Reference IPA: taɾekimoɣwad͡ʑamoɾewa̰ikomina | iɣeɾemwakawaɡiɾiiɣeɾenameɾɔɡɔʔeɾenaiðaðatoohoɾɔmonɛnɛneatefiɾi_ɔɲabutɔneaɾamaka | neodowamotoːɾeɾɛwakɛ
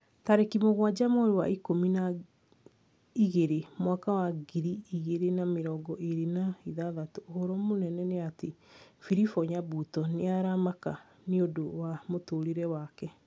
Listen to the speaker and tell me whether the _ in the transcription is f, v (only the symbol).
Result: f